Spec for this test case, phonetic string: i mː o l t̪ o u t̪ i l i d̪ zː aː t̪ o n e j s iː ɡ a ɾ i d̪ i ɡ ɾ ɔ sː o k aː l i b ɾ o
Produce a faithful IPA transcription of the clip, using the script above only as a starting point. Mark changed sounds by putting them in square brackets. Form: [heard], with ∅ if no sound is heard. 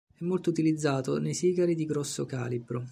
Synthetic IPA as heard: [ɛ] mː o l t̪ o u t̪ i l i d̪ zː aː t̪ o n e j s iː ɡ a ɾ i d̪ i ɡ ɾ ɔ sː o k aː l i b ɾ o

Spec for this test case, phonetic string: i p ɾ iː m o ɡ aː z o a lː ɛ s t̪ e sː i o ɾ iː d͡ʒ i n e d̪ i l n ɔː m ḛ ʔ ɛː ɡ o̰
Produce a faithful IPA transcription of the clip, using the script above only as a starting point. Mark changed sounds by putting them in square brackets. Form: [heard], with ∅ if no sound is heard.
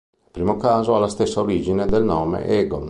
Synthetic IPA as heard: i p ɾ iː m o [k] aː z o a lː [a] s t̪ e sː [a] o ɾ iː d͡ʒ i n e d̪ [e] l n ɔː m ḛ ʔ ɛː ɡ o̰

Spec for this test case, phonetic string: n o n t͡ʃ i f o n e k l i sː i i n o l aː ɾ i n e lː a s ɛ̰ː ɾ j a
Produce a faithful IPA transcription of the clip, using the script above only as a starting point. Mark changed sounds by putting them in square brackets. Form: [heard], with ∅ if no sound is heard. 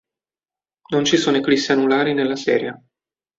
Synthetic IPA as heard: n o n t͡ʃ i [s] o n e k l i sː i [a] n [u] l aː ɾ i n e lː a s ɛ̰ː ɾ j a

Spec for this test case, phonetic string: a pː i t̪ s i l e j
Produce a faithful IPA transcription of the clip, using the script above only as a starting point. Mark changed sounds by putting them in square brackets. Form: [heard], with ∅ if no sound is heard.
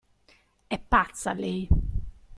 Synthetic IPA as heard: [ɛ] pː [a] t̪ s [a] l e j

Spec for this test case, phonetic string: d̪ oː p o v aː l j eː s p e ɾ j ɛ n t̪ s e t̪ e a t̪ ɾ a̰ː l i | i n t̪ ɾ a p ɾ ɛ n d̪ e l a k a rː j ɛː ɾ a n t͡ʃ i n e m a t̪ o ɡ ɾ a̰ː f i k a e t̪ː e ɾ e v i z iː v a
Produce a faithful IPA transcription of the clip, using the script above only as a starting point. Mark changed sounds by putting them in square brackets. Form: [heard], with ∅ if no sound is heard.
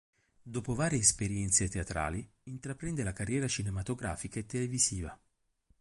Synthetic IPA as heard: d̪ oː p o v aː [ɾ] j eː s p e ɾ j ɛ n t̪ s e t̪ e a t̪ ɾ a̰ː l i | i n t̪ ɾ a p ɾ ɛ n d̪ e l a k a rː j ɛː ɾ a [∅] t͡ʃ i n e m a t̪ o ɡ ɾ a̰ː f i k a e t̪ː e [l] e v i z iː v a

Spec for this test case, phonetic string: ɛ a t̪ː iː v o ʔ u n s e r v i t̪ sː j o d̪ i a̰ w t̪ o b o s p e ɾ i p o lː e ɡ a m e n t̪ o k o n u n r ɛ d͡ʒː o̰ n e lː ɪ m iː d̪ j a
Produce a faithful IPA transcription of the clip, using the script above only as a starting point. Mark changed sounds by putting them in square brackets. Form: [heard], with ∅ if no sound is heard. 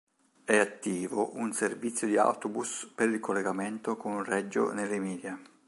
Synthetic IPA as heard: ɛ a t̪ː iː v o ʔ u n s e r v i t̪ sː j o d̪ i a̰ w t̪ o b [u] s p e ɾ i [k] o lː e ɡ a m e n t̪ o k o n u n r ɛ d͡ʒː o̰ n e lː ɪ m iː d̪ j a

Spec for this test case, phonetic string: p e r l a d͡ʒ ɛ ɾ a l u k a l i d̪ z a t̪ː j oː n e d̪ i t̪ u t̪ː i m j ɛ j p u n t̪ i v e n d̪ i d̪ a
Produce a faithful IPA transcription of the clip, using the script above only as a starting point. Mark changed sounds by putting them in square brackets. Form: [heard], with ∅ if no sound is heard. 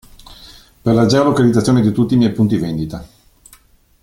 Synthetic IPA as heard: p e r l a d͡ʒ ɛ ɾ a l [o] k a l i d̪ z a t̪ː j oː n e d̪ i t̪ u t̪ː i m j ɛ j p u n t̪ i v e n d̪ i [t̪] a

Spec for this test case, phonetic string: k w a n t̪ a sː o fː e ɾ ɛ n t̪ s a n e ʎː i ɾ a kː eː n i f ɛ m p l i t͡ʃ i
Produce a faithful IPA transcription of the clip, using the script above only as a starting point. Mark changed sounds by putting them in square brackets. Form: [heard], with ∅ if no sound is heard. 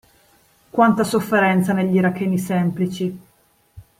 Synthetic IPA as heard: k w a n t̪ a [s] o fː e ɾ ɛ n t̪ s a n e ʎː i ɾ a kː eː n i [s] ɛ m p l i t͡ʃ i

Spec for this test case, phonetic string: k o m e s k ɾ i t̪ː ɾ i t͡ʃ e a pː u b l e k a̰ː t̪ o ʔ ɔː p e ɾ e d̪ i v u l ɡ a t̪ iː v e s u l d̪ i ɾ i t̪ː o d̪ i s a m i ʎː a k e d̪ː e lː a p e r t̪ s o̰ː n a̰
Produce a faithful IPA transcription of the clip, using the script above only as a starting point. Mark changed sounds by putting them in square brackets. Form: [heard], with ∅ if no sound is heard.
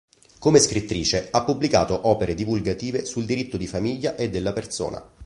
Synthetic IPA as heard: k o m e s k ɾ i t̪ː ɾ [iː] t͡ʃ e a pː u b l [i] k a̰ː t̪ o ʔ ɔː p e ɾ e d̪ i v u l ɡ a t̪ iː v e s u l d̪ i ɾ i t̪ː o d̪ i [f] a m i ʎː a [ʔ] e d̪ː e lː a p e r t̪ s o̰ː n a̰

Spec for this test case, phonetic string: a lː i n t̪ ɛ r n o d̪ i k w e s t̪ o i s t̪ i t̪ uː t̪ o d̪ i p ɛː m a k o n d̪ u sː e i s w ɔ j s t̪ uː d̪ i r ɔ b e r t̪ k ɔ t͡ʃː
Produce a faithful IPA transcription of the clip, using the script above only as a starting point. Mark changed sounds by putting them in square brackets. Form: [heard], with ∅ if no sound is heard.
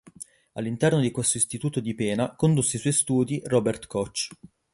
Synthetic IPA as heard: a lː i n t̪ ɛ r n o d̪ i k w e s t̪ o i s t̪ i t̪ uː t̪ o d̪ i p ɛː [n] a k o n d̪ u sː e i s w ɔ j s t̪ uː d̪ i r ɔ b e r t̪ k ɔ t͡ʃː

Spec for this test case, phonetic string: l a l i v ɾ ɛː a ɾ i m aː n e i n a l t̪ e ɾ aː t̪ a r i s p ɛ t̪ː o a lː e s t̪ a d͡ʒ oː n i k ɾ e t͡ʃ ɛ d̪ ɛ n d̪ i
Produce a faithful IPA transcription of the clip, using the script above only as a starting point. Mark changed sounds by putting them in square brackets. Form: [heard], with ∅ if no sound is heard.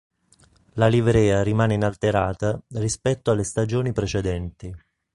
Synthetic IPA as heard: l a l i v ɾ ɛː a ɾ i m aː n e i n a l t̪ e ɾ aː t̪ a r i s p ɛ t̪ː o a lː e s t̪ a d͡ʒ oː n i [p] ɾ e t͡ʃ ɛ d̪ ɛ n [t̪] i

